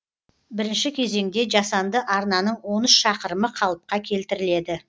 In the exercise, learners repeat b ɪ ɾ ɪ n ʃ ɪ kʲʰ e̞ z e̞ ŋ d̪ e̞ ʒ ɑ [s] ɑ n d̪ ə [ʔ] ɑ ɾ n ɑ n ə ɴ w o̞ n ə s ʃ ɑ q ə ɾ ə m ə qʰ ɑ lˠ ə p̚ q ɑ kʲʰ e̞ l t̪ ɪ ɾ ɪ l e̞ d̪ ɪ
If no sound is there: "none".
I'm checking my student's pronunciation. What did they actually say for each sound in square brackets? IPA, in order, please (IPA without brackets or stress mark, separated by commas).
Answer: s, ʔ